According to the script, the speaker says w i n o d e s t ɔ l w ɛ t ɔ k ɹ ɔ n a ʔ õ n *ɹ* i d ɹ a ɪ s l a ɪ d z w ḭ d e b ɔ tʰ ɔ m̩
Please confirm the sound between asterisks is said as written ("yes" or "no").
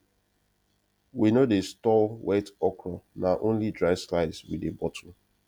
no